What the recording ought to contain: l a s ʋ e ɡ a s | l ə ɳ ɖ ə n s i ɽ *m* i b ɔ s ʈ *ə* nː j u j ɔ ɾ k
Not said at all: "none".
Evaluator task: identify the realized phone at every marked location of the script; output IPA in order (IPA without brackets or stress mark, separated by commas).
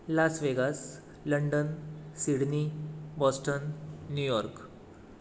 n, ə